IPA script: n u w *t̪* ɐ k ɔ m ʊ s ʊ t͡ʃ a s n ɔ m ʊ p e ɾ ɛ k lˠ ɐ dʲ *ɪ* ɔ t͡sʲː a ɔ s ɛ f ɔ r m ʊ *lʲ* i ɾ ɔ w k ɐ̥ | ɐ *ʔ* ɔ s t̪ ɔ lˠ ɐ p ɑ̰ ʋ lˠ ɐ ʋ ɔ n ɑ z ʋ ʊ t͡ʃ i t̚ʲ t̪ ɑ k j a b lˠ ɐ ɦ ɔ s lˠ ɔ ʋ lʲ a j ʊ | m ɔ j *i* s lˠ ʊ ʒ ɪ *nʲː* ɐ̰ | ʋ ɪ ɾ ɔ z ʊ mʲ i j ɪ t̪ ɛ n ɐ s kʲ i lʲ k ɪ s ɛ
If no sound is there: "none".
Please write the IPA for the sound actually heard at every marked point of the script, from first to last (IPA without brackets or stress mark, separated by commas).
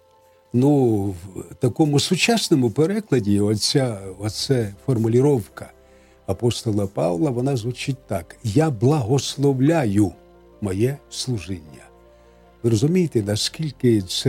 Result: t̪, i, lʲ, p, ɛ, nʲː